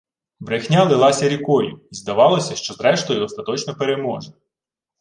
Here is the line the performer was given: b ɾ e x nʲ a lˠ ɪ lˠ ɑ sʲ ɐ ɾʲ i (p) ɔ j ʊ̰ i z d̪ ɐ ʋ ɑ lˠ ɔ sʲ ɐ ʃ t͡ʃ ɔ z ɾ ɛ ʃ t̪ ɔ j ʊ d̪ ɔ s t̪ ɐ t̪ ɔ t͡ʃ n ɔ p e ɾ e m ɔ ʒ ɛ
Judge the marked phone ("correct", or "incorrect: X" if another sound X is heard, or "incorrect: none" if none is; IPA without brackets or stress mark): incorrect: k